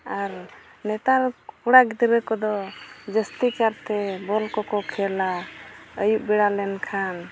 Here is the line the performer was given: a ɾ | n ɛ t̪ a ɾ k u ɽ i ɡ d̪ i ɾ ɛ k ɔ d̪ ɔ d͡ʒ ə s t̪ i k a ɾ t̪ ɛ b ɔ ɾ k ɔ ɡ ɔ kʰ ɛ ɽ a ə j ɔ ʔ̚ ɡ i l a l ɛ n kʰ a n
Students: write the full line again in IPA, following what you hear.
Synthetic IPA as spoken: a ɾ | n ɛ t̪ a ɾ k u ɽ a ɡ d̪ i ɾ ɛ k ɔ d̪ ɔ d͡ʒ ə s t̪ i k a ɾ t̪ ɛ b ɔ l k ɔ k ɔ kʰ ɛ l a ə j u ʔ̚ b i ɽ a l ɛ n kʰ a n